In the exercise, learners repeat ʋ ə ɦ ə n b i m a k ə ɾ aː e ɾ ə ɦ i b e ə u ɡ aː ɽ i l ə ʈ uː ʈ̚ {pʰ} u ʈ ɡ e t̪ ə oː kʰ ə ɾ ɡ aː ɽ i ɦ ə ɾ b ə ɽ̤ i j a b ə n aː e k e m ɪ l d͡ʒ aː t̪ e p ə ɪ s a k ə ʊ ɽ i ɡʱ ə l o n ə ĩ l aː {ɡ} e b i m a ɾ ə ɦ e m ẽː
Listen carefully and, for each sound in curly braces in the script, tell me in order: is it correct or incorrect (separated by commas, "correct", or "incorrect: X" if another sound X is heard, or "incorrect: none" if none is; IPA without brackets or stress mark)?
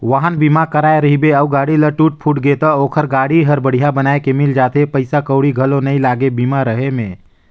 correct, correct